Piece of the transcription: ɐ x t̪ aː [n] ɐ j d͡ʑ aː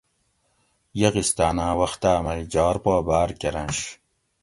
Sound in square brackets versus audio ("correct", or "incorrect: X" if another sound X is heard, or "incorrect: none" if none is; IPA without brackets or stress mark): incorrect: m